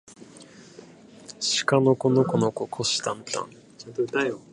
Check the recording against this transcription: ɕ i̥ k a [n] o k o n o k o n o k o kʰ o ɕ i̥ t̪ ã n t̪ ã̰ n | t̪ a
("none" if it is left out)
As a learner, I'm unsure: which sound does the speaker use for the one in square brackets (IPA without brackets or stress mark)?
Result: n